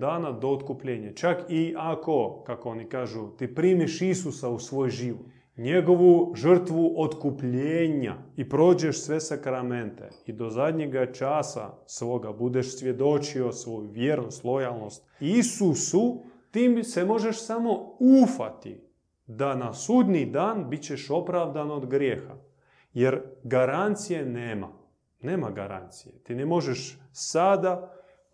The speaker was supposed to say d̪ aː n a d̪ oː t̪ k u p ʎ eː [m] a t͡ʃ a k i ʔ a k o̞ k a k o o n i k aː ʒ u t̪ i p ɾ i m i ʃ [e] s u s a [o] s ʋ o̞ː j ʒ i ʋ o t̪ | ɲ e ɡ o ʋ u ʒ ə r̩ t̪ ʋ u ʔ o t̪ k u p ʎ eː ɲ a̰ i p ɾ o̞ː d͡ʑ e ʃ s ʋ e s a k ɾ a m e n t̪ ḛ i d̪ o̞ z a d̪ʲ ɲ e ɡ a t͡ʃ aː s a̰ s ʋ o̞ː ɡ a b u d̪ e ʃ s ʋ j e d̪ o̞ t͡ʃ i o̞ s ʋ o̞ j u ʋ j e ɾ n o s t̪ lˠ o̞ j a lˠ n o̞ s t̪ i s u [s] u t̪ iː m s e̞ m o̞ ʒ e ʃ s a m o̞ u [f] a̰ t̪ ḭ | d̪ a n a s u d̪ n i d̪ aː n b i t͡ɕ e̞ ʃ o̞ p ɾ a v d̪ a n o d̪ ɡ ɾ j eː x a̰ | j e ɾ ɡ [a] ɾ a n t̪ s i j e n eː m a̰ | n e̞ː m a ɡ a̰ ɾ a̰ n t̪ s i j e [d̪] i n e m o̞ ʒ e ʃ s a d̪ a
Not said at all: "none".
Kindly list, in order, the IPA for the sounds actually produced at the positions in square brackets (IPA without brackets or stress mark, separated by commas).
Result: ɲ, i, u, s, f, a, t̪